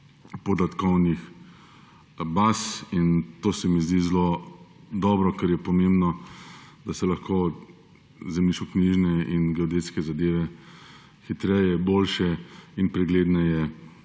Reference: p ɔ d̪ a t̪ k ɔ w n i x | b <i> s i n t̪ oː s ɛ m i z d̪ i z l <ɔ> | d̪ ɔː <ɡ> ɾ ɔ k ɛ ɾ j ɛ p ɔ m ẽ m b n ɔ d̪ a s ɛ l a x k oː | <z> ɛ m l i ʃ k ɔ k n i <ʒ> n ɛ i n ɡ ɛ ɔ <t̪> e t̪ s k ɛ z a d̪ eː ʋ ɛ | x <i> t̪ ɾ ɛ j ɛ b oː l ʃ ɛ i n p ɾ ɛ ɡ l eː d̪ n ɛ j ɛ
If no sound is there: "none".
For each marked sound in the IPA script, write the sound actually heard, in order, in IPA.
a, o, b, z, ʒ, d̪, i

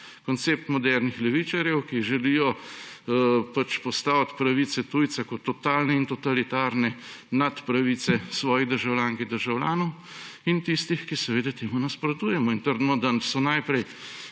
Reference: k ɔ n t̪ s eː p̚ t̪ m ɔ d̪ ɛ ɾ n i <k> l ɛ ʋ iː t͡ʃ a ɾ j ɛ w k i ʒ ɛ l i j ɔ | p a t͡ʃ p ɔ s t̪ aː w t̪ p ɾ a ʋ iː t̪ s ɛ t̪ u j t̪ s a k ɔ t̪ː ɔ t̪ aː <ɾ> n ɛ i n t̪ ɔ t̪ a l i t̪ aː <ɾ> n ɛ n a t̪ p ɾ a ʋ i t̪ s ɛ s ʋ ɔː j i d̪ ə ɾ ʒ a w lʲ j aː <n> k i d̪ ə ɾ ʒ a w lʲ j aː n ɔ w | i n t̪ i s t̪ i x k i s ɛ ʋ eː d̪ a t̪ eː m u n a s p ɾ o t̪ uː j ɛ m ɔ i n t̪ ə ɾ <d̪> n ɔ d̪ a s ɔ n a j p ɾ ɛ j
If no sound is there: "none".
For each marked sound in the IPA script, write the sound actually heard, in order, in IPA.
x, l, ɾ, ŋ, d̪

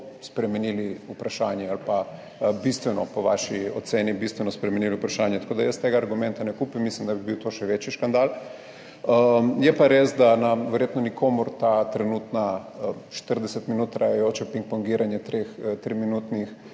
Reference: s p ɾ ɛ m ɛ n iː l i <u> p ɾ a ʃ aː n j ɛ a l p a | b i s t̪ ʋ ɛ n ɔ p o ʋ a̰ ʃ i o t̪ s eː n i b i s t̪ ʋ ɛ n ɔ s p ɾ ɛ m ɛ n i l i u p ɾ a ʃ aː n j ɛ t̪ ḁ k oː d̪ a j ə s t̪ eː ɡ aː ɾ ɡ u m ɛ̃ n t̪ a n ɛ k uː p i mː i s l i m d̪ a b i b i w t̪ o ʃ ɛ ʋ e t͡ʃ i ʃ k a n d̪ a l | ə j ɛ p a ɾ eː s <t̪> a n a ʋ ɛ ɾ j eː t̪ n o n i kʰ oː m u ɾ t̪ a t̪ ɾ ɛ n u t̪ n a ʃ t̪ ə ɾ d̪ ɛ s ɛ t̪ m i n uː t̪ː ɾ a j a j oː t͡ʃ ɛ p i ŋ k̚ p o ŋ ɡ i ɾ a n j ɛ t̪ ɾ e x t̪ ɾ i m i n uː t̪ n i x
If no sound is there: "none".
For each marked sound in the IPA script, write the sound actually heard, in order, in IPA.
u, d̪

